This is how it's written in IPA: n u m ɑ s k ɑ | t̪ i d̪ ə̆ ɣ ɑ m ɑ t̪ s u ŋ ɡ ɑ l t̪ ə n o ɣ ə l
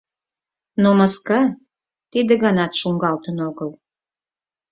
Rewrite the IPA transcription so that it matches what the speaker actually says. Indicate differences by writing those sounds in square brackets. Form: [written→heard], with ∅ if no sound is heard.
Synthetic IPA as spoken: n [u→o] m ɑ s k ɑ | t̪ i d̪ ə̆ ɣ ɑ [m→n] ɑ t̪ [s→ʃ] u ŋ ɡ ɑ l t̪ ə n o ɣ ə l